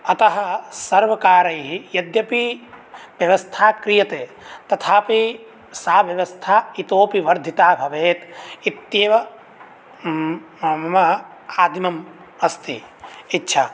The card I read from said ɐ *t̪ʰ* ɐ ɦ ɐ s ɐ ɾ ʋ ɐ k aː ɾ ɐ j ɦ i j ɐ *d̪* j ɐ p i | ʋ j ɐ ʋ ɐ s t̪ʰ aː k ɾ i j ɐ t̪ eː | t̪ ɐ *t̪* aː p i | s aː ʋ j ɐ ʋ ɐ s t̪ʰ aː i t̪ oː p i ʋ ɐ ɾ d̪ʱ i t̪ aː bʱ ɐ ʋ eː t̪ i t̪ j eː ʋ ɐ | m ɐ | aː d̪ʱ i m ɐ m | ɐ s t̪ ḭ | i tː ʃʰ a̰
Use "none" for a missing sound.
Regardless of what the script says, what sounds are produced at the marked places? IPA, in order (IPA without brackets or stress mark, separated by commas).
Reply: t̪, d̪, t̪ʰ